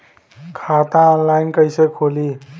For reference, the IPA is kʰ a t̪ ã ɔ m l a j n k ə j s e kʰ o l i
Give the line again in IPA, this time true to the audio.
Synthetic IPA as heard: kʰ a t̪ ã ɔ n l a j n k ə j s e kʰ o l i